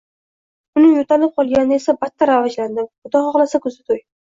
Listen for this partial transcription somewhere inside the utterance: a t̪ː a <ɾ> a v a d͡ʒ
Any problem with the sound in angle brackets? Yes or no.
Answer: no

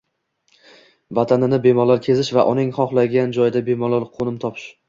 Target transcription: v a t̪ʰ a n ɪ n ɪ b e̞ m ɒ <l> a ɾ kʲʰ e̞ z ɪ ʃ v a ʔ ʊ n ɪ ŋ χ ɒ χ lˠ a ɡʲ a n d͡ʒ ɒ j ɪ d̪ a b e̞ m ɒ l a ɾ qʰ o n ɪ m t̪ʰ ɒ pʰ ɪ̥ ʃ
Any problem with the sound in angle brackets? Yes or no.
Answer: no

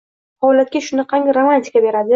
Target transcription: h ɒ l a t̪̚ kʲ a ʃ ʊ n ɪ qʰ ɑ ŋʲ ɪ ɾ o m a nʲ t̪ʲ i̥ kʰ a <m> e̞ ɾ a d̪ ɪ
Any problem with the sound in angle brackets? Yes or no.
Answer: yes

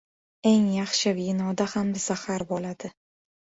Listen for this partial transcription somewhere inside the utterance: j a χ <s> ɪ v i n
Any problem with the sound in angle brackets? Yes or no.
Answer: yes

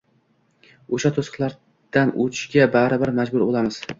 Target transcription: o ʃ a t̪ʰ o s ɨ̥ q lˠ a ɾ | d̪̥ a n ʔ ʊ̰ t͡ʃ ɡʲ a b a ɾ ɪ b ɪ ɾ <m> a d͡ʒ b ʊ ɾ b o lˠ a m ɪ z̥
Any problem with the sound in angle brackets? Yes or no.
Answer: no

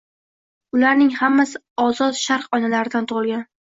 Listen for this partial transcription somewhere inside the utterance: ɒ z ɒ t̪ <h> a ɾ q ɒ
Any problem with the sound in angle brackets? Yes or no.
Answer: yes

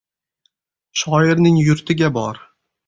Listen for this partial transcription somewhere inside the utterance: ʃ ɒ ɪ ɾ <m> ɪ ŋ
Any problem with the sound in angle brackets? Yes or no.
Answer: yes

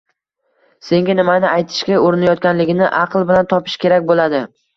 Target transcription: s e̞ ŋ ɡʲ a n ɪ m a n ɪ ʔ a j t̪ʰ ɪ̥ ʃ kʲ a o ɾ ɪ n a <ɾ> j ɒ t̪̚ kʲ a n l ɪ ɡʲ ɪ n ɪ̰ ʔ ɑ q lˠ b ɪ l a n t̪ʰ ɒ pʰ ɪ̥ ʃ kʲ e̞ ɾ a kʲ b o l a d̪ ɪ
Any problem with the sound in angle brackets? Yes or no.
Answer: yes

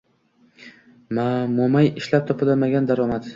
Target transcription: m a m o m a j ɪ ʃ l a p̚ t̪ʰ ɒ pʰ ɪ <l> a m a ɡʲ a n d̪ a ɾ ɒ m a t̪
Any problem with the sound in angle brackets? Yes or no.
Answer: no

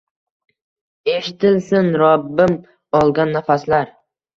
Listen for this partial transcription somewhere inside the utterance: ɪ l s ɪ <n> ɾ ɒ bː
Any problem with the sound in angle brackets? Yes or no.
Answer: no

